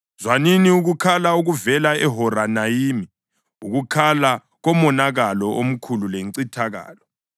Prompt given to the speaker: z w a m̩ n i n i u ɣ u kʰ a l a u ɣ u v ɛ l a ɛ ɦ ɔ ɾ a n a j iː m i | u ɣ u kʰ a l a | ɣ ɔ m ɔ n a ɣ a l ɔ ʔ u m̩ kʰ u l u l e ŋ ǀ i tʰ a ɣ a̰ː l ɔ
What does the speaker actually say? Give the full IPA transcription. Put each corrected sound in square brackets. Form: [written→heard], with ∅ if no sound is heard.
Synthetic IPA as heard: z w a [m̩→∅] n i n i u ɣ u kʰ a l a u ɣ u v ɛ l a ɛ ɦ ɔ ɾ a n a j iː m i | u ɣ u kʰ a l a | ɣ ɔ m ɔ n a ɣ a l ɔ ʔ [u→o] m̩ kʰ u l u l e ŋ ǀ i tʰ a ɣ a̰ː l ɔ